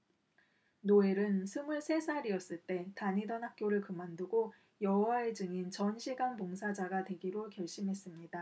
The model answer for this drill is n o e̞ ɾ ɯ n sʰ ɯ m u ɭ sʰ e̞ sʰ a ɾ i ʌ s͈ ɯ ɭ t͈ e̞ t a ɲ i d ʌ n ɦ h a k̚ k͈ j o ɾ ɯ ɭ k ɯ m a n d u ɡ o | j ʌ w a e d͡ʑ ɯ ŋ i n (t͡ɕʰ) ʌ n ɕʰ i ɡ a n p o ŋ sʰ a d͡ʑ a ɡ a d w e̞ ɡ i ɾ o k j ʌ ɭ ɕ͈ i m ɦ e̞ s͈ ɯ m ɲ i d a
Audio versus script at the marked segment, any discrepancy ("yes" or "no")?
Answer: yes